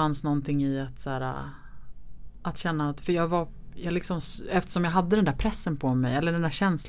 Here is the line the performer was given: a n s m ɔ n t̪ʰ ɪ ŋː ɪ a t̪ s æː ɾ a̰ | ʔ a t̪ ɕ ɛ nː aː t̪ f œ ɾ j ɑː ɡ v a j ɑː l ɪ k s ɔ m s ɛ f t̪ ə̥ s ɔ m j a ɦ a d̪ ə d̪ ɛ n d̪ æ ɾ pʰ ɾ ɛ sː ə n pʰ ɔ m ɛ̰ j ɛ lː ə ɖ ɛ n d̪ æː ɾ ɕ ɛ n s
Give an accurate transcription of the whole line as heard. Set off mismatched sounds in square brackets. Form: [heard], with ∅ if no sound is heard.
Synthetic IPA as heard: a n s [n] ɔ n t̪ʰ ɪ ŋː ɪ a t̪ s æː ɾ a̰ | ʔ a t̪ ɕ ɛ nː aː t̪ f œ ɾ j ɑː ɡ v a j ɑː l ɪ k s ɔ m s ɛ f t̪ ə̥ [ʂ] ɔ m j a ɦ a [d̪ː] ə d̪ ɛ n d̪ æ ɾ pʰ ɾ ɛ sː ə n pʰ ɔ m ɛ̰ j ɛ lː ə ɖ ɛ n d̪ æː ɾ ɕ ɛ n s